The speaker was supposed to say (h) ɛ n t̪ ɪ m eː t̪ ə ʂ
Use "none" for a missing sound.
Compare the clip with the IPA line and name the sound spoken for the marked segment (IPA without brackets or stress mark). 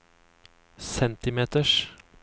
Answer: s